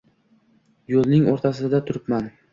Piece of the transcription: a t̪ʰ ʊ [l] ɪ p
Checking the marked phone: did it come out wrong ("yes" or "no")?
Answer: yes